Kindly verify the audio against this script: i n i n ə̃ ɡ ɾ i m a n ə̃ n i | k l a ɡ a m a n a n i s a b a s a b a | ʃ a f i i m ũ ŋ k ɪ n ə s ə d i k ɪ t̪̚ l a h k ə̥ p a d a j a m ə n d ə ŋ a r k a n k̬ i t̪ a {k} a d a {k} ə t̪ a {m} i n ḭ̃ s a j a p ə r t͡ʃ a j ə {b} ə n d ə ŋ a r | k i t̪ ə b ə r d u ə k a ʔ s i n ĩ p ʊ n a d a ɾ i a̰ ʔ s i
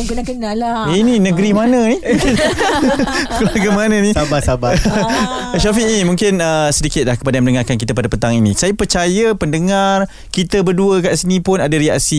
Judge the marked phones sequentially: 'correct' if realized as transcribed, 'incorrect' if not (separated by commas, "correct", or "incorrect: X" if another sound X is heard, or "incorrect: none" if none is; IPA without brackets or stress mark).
incorrect: p, incorrect: p, incorrect: ŋ, incorrect: p